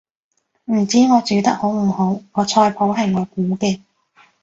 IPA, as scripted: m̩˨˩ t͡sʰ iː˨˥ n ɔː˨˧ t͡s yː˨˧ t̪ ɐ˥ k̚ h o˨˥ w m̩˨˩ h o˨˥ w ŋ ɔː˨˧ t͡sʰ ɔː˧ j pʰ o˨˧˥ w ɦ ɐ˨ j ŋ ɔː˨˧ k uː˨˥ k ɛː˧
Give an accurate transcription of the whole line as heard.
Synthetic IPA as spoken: m̩˨˩ t͡s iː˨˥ ŋ ɔː˨˧ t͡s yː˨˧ t̪ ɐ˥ k̚ h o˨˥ w m̩˨˩ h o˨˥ w ŋ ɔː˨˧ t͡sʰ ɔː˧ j pʰ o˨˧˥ w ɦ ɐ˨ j ŋ ɔː˨˧ k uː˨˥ k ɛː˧